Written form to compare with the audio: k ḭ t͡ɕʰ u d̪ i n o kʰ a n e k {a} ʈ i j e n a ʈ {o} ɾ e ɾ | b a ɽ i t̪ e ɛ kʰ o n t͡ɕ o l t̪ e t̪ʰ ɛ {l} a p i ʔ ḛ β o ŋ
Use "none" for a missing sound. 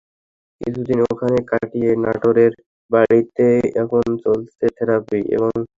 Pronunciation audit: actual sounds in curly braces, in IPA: a, o, ɾ

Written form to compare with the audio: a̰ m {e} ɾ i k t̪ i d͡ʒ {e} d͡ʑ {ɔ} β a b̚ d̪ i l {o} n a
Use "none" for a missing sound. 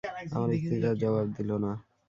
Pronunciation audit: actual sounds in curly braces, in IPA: a, a, ɔ, o

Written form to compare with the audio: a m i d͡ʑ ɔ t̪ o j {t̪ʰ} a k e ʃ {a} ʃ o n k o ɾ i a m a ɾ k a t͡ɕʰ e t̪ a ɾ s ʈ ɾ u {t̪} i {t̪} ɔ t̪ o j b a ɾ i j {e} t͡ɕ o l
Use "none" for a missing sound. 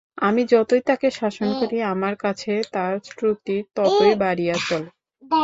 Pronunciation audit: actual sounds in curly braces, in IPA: t̪, a, t̪, t̪, a

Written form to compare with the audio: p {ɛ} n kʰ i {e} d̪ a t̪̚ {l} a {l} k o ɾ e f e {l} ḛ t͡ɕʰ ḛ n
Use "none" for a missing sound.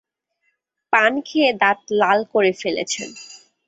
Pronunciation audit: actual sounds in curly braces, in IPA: a, e, l, l, l

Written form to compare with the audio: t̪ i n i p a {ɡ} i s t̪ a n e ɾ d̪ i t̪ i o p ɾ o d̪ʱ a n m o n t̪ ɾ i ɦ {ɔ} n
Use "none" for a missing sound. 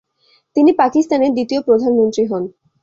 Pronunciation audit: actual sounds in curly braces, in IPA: k, ɔ

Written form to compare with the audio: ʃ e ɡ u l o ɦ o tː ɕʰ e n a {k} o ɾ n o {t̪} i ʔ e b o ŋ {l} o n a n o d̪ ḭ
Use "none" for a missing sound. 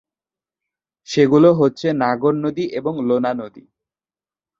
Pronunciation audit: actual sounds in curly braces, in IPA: ɡ, d̪, l

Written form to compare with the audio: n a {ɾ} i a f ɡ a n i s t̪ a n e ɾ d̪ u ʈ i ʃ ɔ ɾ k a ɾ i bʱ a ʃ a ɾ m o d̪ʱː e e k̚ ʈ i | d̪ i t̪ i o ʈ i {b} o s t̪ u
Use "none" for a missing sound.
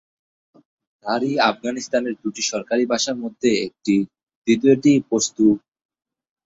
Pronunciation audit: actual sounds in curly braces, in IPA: ɾ, p

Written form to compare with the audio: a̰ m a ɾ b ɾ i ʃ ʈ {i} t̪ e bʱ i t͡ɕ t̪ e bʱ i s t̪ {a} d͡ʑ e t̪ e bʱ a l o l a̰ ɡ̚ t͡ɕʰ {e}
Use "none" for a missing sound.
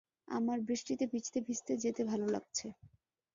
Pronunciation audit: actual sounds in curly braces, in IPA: i, e, e

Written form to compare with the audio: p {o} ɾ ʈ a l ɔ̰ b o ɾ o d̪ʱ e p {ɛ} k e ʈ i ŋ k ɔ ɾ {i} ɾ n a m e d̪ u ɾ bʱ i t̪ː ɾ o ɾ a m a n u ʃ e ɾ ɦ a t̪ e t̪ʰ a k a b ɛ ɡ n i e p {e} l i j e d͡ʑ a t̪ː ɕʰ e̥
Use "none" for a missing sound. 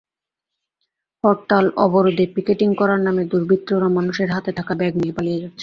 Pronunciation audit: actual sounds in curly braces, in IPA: ɔ, i, a, a

